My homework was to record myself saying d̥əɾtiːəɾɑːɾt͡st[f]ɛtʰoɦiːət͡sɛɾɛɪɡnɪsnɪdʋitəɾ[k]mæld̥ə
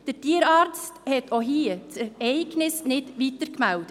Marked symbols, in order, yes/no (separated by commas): no, yes